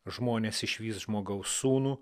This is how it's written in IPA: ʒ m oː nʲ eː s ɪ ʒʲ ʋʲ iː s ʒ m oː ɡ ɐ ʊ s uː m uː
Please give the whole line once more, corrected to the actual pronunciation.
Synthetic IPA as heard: ʒ m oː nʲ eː s ɪ ʃʲ ʋʲ iː s ʒ m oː ɡ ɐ ʊ s uː n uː